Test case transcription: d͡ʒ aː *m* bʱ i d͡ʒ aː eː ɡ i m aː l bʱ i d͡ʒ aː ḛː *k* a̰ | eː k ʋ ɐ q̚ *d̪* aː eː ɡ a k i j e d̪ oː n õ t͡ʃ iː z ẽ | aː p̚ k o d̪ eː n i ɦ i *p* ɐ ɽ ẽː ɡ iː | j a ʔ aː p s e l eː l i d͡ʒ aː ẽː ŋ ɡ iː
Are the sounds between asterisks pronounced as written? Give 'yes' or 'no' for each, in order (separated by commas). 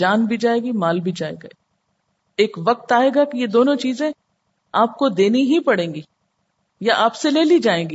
no, no, no, yes